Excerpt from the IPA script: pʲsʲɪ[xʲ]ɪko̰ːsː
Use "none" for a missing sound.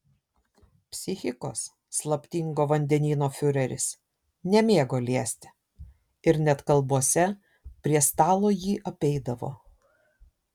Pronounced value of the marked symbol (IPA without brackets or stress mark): xʲ